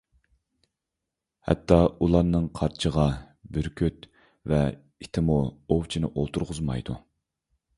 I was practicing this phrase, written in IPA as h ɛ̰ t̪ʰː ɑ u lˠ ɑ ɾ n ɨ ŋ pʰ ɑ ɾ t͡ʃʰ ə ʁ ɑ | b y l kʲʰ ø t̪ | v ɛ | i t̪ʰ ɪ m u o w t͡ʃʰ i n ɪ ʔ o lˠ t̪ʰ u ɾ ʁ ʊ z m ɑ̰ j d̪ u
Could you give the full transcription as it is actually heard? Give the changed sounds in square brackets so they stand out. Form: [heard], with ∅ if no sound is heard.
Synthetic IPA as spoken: h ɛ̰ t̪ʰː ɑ u lˠ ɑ ɾ n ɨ ŋ [qʰ] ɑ ɾ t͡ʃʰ ə ʁ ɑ | b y [ɾ] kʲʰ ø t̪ | v ɛ | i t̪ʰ ɪ m u o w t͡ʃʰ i n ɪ ʔ o lˠ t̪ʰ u ɾ ʁ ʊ z m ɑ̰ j d̪ u